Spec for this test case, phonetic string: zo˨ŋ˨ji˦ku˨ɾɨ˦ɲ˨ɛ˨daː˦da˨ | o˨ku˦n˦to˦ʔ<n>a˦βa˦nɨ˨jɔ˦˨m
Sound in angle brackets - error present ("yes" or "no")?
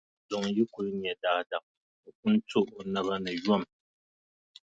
no